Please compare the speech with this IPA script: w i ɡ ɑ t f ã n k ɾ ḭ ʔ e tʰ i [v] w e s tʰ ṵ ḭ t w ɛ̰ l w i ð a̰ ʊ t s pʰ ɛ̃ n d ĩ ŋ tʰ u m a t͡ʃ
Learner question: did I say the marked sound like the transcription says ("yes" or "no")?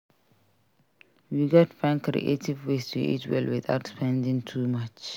yes